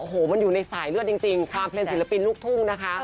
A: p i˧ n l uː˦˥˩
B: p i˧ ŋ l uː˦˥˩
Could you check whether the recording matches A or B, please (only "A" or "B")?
A